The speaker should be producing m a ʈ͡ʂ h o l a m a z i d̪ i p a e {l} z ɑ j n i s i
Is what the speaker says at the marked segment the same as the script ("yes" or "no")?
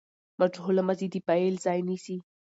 yes